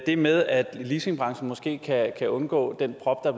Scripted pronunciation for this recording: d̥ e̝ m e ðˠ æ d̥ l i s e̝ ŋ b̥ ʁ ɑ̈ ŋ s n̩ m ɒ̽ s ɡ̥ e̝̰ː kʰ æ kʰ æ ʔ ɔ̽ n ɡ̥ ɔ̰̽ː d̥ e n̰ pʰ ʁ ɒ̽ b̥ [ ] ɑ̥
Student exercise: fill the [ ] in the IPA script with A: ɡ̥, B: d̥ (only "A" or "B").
B